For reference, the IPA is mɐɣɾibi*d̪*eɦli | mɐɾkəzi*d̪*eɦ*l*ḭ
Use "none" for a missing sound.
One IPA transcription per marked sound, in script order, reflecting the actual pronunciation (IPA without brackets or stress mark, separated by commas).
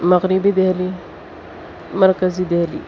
d̪, d̪, l